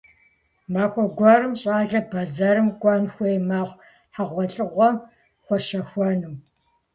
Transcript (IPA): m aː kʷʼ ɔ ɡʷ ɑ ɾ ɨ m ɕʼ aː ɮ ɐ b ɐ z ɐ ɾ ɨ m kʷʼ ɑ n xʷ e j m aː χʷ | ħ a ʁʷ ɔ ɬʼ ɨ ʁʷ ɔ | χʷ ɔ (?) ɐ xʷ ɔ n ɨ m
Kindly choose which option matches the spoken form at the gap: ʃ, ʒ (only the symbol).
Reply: ʃ